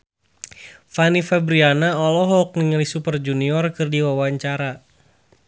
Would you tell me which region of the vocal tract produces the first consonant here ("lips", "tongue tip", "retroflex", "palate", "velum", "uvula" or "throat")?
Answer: lips